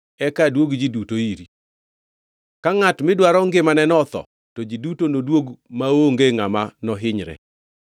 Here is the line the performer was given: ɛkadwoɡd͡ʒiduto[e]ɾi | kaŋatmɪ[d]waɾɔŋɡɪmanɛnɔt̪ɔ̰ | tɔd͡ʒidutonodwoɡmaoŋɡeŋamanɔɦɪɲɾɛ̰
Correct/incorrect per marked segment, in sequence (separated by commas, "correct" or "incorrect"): incorrect, correct